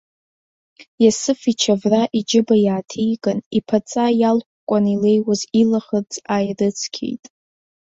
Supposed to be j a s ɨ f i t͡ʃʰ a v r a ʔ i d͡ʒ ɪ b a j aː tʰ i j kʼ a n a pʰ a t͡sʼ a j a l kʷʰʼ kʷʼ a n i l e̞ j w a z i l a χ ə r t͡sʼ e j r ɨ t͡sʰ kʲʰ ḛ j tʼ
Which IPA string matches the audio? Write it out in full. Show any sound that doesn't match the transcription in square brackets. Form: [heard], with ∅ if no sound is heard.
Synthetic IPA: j a s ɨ f i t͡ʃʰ a v r a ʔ i d͡ʒ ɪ b a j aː tʰ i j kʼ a n [i] pʰ a t͡sʼ a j a l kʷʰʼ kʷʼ a n i l e̞ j w a z i l a χ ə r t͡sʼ [a] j r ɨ t͡sʰ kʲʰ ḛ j tʼ